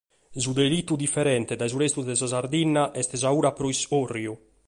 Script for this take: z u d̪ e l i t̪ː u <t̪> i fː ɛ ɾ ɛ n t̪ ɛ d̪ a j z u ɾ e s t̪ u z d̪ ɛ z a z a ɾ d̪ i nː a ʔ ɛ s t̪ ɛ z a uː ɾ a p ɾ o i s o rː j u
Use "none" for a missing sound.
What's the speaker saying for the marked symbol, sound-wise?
d̪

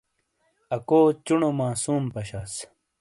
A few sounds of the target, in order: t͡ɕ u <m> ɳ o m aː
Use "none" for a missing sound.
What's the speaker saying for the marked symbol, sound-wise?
none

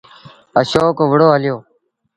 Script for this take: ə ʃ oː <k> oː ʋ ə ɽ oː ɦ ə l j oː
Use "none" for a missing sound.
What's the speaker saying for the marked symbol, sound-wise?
k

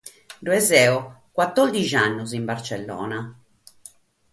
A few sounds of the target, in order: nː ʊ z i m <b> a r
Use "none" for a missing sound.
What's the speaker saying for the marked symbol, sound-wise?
b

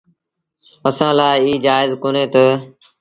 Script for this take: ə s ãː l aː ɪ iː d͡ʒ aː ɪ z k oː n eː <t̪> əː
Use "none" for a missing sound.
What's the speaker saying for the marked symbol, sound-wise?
t̪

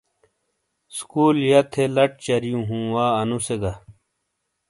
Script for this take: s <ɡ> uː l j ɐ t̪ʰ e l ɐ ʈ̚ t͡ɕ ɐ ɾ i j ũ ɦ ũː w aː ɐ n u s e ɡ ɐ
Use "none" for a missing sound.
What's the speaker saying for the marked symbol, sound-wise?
k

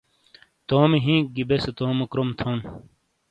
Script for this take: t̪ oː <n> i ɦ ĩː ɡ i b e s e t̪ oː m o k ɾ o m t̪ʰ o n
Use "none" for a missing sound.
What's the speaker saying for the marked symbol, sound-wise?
m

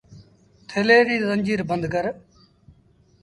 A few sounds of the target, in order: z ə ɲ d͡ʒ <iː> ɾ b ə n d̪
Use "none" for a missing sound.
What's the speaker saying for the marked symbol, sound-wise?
iː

